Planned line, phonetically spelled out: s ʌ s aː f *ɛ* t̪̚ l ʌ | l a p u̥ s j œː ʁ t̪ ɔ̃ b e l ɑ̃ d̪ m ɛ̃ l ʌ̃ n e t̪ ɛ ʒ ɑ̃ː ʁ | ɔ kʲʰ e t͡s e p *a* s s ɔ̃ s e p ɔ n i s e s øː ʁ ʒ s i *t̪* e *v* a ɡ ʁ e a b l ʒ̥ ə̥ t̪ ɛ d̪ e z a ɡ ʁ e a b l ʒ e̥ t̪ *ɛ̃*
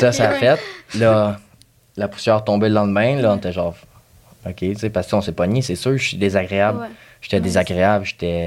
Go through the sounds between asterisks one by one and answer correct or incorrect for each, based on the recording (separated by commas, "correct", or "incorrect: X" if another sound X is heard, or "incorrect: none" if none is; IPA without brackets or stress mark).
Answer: correct, correct, incorrect: d̪, incorrect: z, incorrect: ɛ